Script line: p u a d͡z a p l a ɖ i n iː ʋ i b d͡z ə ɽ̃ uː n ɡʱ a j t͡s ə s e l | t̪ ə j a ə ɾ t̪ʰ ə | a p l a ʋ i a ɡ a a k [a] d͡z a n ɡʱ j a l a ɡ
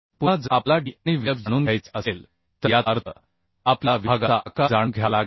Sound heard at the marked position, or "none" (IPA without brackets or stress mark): a